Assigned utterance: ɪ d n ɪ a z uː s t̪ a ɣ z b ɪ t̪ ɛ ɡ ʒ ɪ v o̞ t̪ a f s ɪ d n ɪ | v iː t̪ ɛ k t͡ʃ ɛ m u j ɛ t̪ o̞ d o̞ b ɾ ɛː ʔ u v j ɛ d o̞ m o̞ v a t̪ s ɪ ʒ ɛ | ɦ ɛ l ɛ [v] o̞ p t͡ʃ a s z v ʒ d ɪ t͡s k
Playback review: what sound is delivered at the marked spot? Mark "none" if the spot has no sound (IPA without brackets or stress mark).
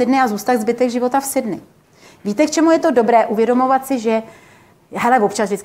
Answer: v